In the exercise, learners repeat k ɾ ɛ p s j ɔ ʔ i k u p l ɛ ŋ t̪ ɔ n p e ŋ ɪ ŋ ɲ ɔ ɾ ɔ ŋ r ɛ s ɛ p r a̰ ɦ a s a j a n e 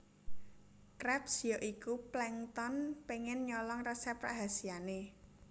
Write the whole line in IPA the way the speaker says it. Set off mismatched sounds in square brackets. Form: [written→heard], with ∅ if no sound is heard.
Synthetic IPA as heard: k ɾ ɛ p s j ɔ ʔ i k u p l ɛ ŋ t̪ ɔ n p e ŋ ɪ [ŋ→n] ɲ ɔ [ɾ→l] ɔ ŋ r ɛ s ɛ p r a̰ ɦ a s [a→i] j a n e

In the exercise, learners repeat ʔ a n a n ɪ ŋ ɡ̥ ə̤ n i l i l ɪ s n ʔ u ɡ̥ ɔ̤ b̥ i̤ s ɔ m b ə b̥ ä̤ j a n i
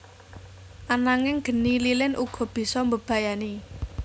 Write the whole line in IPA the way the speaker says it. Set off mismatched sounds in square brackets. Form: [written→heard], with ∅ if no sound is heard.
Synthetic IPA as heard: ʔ a n a [n→ŋ] ɪ ŋ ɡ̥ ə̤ n i l i l ɪ [s→∅] n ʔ u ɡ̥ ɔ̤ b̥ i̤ s ɔ m b ə b̥ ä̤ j a n i

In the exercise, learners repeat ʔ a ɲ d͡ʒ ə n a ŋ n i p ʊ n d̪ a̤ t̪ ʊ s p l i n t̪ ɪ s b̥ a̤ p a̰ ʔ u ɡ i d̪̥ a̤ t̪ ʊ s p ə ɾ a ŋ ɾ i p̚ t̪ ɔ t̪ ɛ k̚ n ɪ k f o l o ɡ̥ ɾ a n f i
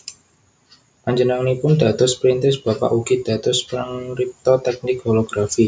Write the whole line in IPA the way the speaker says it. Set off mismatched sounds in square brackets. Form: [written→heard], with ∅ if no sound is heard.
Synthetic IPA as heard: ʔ a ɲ d͡ʒ ə n a ŋ n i p ʊ n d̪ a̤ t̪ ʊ s p [l→ɾ] i n t̪ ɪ s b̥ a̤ p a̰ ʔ u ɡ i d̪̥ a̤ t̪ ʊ s p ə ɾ a ŋ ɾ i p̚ t̪ ɔ t̪ ɛ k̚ n ɪ k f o l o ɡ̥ ɾ a [n→∅] f i

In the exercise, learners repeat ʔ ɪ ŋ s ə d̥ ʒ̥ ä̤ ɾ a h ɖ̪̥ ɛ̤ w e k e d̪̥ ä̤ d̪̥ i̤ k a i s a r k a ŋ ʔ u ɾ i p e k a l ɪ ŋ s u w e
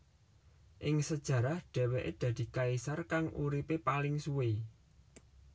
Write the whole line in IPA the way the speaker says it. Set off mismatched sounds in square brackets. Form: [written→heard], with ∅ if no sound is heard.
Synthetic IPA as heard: ʔ ɪ ŋ s ə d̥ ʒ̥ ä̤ ɾ a h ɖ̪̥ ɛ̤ w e [k→ʔ] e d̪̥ ä̤ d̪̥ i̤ k a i s a r k a ŋ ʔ u ɾ i p e [k→p] a l ɪ ŋ s u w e

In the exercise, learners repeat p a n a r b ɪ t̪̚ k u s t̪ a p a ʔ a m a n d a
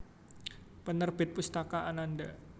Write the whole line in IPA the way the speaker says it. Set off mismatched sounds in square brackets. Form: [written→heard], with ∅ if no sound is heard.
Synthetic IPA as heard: p [a→ə] n [a→ə] r b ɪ t̪̚ [k→p] u s t̪ a [p→k] a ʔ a [m→n] a n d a

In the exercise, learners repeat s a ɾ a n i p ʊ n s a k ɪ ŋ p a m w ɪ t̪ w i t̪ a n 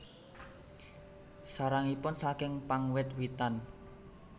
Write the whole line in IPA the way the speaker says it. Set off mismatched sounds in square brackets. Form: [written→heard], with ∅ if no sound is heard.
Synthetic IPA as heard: s a ɾ a [n→ŋ] i p ʊ n s a k ɪ ŋ p a [m→ŋ] w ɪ t̪ w i t̪ a n

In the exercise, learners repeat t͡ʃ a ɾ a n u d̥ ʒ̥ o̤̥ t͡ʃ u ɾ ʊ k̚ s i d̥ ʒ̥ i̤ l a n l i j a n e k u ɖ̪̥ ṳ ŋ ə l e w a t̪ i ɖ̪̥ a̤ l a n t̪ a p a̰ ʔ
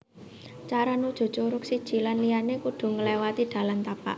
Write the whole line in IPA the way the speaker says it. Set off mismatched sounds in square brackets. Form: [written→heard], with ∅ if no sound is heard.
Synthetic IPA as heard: t͡ʃ a ɾ a n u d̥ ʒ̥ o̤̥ t͡ʃ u ɾ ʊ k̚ s i d̥ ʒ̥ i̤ l a n l i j a n e k u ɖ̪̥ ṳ ŋ ə l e w a t̪ i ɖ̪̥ a̤ l a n t̪ a p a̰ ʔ

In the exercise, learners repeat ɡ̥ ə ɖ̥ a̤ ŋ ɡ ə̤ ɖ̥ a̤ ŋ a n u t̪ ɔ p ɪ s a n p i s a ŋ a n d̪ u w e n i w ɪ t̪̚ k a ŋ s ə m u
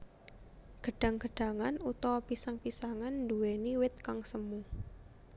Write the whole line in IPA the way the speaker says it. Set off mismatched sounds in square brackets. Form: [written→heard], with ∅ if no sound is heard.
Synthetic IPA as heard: ɡ̥ ə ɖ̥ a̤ ŋ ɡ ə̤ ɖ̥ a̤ ŋ a n u t̪ ɔ p [ɪ→i] s a [n→ŋ] p i s a ŋ a n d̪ u w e n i w ɪ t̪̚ k a ŋ s ə m u

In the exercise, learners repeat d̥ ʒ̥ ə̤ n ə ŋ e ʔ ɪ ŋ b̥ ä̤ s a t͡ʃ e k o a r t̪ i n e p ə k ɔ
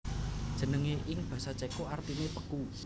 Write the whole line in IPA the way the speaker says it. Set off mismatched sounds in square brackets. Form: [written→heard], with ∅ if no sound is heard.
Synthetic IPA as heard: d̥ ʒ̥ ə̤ n ə ŋ e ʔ ɪ ŋ b̥ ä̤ s a t͡ʃ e k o a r t̪ i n e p ə k [ɔ→u]

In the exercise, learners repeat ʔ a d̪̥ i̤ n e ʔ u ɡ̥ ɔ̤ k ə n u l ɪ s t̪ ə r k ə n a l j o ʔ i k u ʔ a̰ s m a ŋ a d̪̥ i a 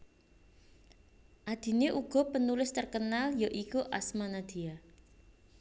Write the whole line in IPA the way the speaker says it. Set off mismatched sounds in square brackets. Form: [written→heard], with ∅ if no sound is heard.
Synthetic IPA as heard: ʔ a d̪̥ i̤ n e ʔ u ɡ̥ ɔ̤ [k→p] ə n u l ɪ s t̪ ə r k ə n a l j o ʔ i k u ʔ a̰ s m a [ŋ→n] a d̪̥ i a

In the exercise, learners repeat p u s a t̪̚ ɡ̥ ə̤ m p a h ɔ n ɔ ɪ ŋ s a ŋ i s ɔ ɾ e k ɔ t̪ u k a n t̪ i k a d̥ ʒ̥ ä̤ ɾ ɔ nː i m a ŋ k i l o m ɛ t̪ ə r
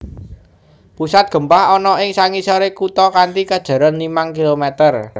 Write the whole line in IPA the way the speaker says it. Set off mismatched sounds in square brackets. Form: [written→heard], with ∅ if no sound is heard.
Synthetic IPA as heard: p u s a t̪̚ ɡ̥ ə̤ m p a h ɔ n ɔ ɪ ŋ s a ŋ i s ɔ ɾ e k [ɔ→u] t̪ [u→ɔ] k a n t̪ i k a d̥ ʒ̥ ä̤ ɾ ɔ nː i m a ŋ k i l o m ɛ t̪ ə r

